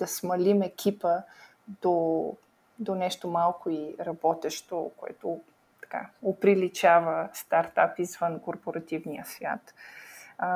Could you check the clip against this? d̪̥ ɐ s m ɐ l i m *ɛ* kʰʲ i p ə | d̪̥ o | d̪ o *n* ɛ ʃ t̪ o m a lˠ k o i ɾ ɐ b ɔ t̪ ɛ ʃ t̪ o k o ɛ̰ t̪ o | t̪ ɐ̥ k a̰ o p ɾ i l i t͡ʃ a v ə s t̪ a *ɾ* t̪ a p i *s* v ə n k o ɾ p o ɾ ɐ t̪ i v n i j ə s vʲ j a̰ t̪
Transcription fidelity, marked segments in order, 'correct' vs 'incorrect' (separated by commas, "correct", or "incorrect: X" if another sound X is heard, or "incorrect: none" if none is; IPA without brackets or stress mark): correct, correct, correct, incorrect: z